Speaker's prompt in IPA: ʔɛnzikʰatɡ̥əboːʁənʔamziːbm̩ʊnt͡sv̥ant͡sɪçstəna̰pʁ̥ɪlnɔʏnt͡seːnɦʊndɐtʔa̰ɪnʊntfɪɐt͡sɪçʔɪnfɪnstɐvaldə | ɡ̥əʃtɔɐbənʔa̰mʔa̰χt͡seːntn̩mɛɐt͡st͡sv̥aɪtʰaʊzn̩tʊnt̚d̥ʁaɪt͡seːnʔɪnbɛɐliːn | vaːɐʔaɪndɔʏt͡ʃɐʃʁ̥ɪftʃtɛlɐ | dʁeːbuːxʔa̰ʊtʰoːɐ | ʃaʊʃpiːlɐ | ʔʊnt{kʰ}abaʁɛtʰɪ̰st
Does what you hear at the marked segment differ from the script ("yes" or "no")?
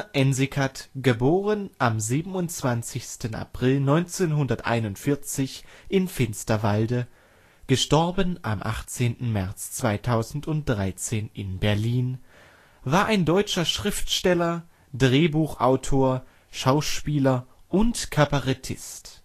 no